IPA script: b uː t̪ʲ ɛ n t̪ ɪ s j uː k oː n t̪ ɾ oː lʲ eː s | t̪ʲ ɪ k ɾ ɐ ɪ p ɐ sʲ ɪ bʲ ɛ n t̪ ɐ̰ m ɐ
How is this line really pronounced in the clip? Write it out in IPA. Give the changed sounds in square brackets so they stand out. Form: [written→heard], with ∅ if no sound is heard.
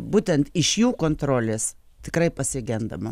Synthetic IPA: b uː t̪ʲ ɛ n t̪ ɪ [s→ʃ] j uː k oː n t̪ ɾ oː lʲ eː s | t̪ʲ ɪ k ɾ ɐ ɪ p ɐ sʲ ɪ [bʲ→ɡʲ] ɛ n [t̪→d̪] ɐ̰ m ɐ